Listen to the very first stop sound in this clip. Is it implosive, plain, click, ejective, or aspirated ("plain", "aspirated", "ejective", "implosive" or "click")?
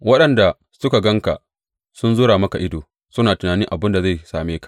implosive